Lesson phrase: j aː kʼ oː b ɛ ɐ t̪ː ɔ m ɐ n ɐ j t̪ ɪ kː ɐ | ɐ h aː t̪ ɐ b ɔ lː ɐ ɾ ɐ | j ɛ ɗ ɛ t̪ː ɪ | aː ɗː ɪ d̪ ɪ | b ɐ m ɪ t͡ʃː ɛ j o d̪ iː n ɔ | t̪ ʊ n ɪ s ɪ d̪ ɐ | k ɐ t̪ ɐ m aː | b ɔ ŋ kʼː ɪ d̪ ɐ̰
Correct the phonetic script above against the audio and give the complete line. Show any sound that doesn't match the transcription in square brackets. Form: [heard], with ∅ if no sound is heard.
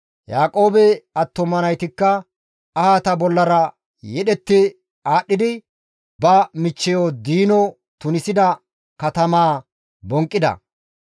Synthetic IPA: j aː kʼ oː b ɛ ɐ t̪ː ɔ m ɐ n ɐ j t̪ ɪ kː ɐ | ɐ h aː t̪ ɐ b ɔ lː ɐ ɾ ɐ | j ɛ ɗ ɛ t̪ː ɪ | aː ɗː ɪ d̪ ɪ | b ɐ m ɪ t͡ʃː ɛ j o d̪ iː n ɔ | t̪ ʊ n ɪ s ɪ d̪ ɐ | k ɐ t̪ ɐ m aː | b ɔ ŋ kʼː ɪ d̪ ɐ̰

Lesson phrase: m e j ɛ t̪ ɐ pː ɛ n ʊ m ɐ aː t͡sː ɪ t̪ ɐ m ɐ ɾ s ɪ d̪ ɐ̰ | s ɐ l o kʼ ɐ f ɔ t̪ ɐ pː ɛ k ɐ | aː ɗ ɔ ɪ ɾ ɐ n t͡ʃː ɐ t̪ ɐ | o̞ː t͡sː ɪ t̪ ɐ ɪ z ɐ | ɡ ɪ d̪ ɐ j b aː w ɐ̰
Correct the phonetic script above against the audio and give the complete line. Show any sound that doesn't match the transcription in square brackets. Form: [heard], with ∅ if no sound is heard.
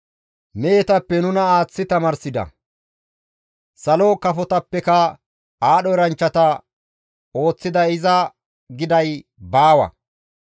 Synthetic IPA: m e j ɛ t̪ ɐ pː ɛ n ʊ [n] ɐ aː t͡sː ɪ t̪ ɐ m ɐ ɾ s ɪ d̪ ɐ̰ | s ɐ l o [k] ɐ f ɔ t̪ ɐ pː ɛ k ɐ | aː ɗ ɔ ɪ ɾ ɐ n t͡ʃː ɐ t̪ ɐ | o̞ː t͡sː ɪ [d̪] ɐ ɪ z ɐ | ɡ ɪ d̪ ɐ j b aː w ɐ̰

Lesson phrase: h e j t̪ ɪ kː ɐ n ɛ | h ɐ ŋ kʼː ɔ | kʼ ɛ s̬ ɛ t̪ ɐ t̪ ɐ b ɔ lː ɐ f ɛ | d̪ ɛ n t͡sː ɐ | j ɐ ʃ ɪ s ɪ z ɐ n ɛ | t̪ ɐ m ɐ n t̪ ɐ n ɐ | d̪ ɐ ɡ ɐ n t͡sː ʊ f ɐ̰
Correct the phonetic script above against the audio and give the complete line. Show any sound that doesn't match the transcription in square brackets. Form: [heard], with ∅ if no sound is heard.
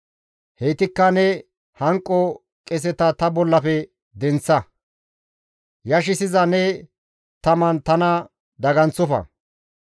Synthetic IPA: h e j t̪ ɪ kː ɐ n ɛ | h ɐ ŋ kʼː ɔ | kʼ ɛ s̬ ɛ t̪ ɐ t̪ ɐ b ɔ lː ɐ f ɛ | d̪ ɛ n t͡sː ɐ | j ɐ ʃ ɪ s ɪ z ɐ n ɛ | t̪ ɐ m ɐ n t̪ ɐ n ɐ | d̪ ɐ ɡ ɐ n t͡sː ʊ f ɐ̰

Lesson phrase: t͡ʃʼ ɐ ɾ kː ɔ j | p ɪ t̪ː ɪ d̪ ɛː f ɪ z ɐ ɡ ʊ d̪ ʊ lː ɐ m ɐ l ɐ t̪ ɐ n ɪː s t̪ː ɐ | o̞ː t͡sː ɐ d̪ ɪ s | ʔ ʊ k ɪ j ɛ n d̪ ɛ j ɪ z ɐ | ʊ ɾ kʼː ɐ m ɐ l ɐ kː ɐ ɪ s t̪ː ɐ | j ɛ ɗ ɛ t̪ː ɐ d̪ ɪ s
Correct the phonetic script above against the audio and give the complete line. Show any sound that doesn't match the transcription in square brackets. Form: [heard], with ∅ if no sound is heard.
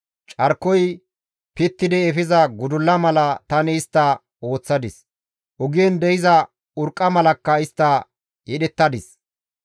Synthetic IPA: t͡ʃʼ ɐ ɾ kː ɔ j | p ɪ t̪ː ɪ d̪ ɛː f ɪ z ɐ ɡ ʊ d̪ ʊ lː ɐ m ɐ l ɐ t̪ ɐ n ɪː s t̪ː ɐ | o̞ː t͡sː ɐ d̪ ɪ s | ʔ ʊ [ɡ] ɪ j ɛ n d̪ ɛ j ɪ z ɐ | ʊ ɾ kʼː ɐ m ɐ l ɐ kː ɐ ɪ s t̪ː ɐ | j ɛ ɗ ɛ t̪ː ɐ d̪ ɪ s

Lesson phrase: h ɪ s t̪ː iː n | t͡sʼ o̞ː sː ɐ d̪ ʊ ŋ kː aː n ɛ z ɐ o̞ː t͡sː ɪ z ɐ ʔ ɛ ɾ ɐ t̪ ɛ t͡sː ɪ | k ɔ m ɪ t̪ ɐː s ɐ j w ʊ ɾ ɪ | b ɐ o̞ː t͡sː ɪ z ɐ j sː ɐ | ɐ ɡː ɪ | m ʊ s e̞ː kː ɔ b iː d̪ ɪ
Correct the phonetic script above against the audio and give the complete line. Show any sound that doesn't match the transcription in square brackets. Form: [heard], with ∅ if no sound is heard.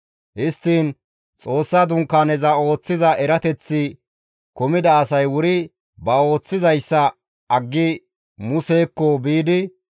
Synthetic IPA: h ɪ s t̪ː iː n | t͡sʼ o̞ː sː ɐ d̪ ʊ ŋ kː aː n ɛ z ɐ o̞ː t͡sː ɪ z ɐ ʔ ɛ ɾ ɐ t̪ ɛ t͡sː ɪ | k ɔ m ɪ [d̪] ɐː s ɐ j w ʊ ɾ ɪ | b ɐ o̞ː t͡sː ɪ z ɐ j sː ɐ | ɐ ɡː ɪ | m ʊ s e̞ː kː ɔ b iː d̪ ɪ

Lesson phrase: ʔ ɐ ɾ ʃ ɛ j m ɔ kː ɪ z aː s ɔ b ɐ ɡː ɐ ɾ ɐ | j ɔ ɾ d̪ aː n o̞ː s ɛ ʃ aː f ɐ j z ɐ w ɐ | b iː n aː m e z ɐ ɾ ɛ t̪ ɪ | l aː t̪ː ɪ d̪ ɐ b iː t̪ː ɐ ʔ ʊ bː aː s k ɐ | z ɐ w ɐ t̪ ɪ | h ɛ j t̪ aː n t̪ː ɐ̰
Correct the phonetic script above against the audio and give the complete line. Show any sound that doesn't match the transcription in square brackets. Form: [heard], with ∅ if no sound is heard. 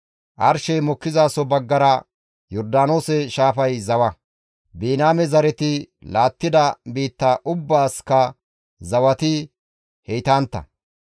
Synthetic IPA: ʔ ɐ ɾ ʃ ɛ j m ɔ kː ɪ z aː s ɔ b ɐ ɡː ɐ ɾ ɐ | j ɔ ɾ d̪ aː n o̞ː s ɛ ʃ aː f ɐ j z ɐ w ɐ | b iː n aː m [ɛ] z ɐ ɾ ɛ t̪ ɪ | l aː t̪ː ɪ d̪ ɐ b iː t̪ː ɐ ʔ ʊ bː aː s k ɐ | z ɐ w ɐ t̪ ɪ | h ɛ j t̪ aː n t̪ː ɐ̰

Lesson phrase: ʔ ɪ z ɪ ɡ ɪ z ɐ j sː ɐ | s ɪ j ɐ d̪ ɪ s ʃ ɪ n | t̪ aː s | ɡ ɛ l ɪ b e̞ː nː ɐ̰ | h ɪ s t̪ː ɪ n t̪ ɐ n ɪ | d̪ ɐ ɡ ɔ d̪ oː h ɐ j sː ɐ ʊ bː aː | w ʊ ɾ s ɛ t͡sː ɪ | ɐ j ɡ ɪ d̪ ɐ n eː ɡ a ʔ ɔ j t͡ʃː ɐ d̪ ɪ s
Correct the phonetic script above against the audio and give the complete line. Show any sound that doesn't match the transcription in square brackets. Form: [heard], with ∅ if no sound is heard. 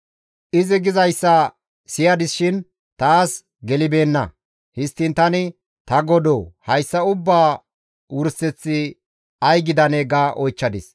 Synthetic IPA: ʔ ɪ z ɪ ɡ ɪ z ɐ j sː ɐ | s ɪ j ɐ d̪ ɪ s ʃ ɪ n | t̪ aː s | ɡ ɛ l ɪ b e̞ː nː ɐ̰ | h ɪ s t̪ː ɪ n t̪ ɐ n ɪ | [t̪] ɐ ɡ ɔ d̪ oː h ɐ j sː ɐ ʊ bː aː | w ʊ ɾ s ɛ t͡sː ɪ | ɐ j ɡ ɪ d̪ ɐ n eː ɡ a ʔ ɔ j t͡ʃː ɐ d̪ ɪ s

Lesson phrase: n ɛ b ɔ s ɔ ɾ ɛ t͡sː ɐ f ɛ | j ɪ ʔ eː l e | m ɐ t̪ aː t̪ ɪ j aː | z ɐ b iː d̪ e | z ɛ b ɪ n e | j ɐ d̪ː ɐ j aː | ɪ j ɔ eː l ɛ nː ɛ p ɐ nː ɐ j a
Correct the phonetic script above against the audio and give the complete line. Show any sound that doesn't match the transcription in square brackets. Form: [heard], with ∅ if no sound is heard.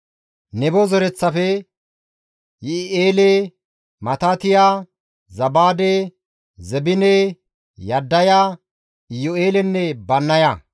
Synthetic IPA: n ɛ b ɔ [z] ɔ ɾ ɛ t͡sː ɐ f ɛ | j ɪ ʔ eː l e | m ɐ t̪ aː t̪ ɪ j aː | z ɐ b [aː] d̪ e | z ɛ b ɪ n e | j ɐ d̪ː ɐ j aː | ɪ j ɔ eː l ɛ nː ɛ [b] ɐ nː ɐ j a

